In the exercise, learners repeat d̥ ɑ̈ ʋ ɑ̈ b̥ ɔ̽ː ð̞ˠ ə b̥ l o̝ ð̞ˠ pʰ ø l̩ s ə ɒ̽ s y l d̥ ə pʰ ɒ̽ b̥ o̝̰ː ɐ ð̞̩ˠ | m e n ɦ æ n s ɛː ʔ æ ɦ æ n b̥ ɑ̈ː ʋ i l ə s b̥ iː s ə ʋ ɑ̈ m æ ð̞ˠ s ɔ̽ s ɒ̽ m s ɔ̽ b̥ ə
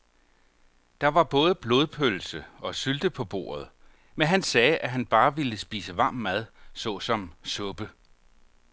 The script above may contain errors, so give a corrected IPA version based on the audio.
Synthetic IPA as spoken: d̥ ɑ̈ ʋ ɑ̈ b̥ ɔ̽ː ð̞ˠ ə b̥ l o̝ ð̞ˠ pʰ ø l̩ s ə ɒ̽ s y l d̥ ə pʰ ɒ̽ b̥ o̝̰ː ɐ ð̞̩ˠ | m e n ɦ æ n s ɛː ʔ æ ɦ æ n b̥ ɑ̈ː ʋ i l ə s b̥ iː s ə ʋ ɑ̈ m æ ð̞ˠ s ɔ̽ s ɒ̽ m s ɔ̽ b̥ ə